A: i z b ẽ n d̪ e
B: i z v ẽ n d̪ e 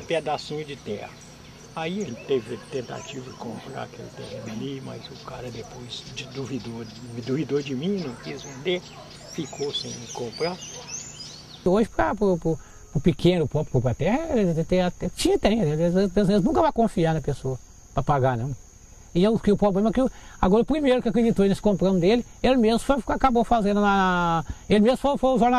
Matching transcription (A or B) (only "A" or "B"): B